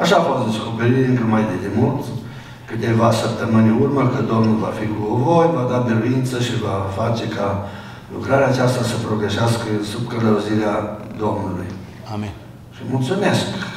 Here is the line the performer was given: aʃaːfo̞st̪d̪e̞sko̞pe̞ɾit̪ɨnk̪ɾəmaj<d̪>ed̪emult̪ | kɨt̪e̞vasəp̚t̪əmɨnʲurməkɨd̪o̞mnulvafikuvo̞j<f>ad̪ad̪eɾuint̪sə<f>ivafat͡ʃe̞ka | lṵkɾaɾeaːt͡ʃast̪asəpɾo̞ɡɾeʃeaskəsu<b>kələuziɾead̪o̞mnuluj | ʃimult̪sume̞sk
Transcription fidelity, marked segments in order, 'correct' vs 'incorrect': correct, incorrect: v, incorrect: ʃ, correct

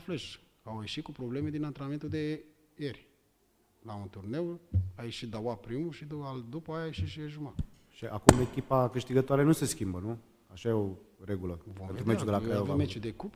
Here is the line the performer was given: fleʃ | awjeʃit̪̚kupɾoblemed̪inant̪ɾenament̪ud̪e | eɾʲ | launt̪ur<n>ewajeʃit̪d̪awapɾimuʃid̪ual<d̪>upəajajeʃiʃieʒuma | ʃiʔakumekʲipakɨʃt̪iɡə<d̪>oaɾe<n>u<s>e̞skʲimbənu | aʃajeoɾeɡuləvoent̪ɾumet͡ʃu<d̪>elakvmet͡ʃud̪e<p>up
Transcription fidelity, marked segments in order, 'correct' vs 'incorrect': correct, correct, incorrect: t̪, correct, correct, correct, incorrect: k

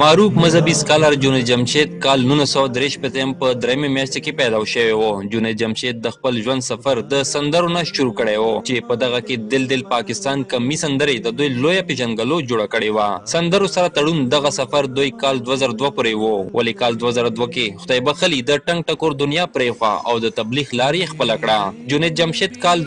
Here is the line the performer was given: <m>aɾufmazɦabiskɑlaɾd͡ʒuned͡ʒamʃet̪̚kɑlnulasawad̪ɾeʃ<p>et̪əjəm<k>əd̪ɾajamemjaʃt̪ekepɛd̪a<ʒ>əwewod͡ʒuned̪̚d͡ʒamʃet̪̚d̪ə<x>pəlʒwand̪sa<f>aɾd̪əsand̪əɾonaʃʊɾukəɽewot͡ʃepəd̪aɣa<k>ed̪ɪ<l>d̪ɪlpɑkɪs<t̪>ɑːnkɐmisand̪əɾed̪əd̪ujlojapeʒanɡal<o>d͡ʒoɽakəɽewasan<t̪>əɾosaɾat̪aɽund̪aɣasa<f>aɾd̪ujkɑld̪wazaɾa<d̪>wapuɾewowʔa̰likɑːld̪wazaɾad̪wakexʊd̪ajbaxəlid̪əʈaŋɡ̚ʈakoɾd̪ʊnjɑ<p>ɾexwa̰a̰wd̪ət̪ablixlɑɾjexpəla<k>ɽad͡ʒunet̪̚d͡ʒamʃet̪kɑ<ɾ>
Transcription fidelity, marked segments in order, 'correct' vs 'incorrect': correct, correct, incorrect: p, incorrect: ʃ, correct, correct, correct, correct, correct, correct, incorrect: d̪, correct, correct, correct, correct, incorrect: l

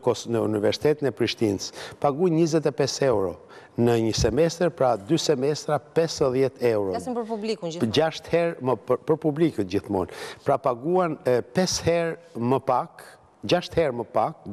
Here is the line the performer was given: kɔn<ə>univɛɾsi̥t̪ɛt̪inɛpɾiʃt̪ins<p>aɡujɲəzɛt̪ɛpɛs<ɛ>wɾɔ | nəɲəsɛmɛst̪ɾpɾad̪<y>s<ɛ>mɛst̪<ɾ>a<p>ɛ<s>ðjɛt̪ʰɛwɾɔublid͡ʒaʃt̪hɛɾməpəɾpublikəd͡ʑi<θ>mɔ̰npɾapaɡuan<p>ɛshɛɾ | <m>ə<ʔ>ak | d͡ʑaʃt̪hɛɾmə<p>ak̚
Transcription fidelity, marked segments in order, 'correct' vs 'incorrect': correct, correct, correct, correct, correct, correct, correct, correct, correct, correct, correct, incorrect: p, correct

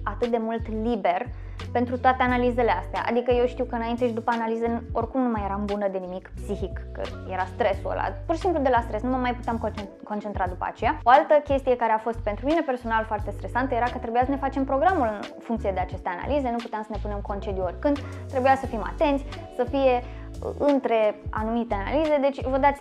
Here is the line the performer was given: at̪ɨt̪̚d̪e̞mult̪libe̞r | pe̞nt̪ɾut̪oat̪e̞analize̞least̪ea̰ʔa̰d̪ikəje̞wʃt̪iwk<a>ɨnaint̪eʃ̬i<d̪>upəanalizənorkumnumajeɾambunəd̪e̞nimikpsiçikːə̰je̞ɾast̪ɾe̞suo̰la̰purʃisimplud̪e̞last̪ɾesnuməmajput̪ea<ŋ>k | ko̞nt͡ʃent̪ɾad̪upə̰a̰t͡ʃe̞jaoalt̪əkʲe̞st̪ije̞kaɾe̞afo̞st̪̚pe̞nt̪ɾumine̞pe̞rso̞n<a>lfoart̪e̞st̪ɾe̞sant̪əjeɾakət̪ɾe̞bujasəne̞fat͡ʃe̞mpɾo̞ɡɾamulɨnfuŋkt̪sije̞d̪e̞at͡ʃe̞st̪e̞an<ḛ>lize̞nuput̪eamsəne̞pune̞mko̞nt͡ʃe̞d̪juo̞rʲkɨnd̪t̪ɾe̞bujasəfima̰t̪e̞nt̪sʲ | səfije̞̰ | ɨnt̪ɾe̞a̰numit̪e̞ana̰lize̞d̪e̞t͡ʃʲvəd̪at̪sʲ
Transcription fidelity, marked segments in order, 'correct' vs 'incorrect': incorrect: ə, correct, incorrect: m, correct, incorrect: a̰

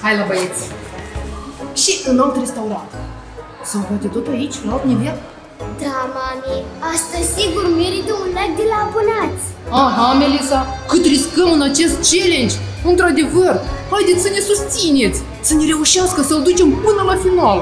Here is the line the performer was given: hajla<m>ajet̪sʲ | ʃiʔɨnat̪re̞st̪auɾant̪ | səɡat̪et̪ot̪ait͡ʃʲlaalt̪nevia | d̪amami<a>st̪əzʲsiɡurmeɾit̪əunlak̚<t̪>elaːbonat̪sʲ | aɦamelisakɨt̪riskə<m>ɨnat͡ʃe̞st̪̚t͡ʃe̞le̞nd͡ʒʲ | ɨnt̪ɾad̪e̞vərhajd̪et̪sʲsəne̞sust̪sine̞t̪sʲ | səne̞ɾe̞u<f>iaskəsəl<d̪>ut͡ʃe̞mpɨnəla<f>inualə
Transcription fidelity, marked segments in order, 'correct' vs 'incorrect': incorrect: b, correct, incorrect: d̪, correct, incorrect: ʃ, correct, correct

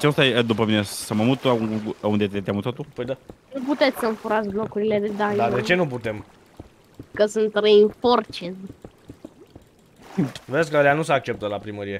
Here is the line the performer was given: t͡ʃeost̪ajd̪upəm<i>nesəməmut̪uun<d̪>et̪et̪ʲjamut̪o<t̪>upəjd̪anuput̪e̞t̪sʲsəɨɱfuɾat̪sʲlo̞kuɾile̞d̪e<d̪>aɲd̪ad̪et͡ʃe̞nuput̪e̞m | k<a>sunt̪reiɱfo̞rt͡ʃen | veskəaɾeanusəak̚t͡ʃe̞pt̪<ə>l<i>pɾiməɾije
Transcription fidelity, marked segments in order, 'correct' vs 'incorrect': correct, correct, correct, correct, incorrect: ə, correct, incorrect: a

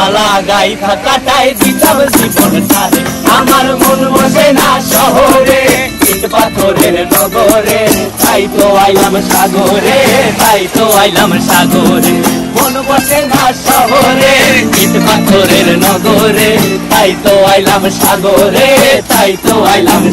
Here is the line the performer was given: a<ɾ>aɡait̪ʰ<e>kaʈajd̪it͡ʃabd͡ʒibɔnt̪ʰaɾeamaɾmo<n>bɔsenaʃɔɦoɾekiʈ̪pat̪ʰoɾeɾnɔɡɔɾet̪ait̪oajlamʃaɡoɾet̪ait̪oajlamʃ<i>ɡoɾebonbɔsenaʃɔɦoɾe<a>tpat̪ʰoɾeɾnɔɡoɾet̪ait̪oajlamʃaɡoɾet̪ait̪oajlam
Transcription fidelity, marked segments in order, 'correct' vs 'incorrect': incorrect: l, incorrect: a, correct, incorrect: a, incorrect: i

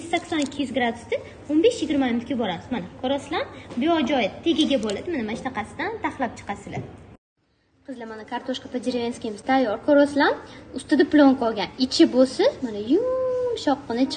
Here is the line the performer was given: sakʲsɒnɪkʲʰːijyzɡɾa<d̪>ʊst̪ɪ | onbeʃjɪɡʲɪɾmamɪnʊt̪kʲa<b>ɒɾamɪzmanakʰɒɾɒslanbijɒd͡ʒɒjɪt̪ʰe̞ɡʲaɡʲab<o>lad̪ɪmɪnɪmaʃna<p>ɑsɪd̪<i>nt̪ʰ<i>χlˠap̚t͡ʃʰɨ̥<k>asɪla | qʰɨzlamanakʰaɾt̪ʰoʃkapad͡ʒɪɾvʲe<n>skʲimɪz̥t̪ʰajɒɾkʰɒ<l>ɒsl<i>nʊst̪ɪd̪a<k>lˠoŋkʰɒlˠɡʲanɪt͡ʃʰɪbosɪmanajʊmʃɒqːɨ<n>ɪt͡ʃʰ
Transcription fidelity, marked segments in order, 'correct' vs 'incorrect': correct, correct, correct, incorrect: q, incorrect: a, incorrect: a, incorrect: q, correct, incorrect: ɾ, incorrect: a, incorrect: p, correct

